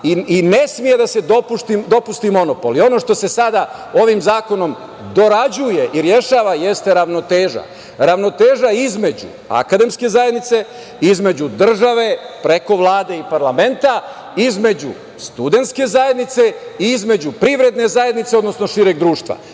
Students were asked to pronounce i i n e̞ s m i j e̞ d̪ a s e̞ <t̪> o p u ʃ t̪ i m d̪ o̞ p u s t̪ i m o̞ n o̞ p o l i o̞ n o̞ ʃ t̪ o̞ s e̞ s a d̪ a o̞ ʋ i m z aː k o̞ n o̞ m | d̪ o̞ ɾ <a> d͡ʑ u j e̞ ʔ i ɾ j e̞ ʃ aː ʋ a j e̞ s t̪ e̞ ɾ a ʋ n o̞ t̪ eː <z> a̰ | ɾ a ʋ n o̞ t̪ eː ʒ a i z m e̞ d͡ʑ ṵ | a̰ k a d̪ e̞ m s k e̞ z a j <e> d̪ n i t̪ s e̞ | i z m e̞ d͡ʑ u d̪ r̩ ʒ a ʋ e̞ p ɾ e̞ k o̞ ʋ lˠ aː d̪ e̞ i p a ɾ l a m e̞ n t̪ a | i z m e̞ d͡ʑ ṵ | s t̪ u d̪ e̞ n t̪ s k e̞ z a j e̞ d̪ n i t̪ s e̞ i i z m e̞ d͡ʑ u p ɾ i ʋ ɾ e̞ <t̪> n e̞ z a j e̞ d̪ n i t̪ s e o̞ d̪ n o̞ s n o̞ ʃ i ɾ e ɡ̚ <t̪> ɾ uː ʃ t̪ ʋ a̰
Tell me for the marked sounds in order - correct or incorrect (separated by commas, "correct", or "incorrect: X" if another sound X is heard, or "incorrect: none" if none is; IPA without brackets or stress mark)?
incorrect: d̪, correct, incorrect: ʒ, correct, incorrect: d̪, incorrect: d̪